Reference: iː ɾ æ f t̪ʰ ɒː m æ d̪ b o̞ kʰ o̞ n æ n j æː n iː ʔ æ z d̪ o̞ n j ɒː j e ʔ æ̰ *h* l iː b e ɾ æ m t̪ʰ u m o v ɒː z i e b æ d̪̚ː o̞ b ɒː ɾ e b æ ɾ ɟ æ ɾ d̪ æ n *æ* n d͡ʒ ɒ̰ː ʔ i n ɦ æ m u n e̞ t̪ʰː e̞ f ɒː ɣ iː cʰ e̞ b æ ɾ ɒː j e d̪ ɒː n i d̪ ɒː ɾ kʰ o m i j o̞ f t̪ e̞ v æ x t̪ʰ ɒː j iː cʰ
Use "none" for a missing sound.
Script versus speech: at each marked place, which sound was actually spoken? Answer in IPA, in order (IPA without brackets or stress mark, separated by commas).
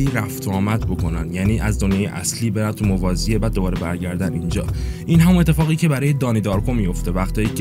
s, i